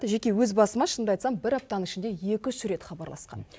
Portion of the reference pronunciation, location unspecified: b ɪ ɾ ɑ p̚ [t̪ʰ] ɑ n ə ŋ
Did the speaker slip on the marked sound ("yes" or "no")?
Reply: yes